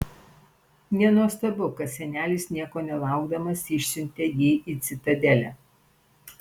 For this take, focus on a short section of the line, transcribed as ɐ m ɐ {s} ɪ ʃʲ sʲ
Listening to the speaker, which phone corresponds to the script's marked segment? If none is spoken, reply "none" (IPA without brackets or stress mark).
s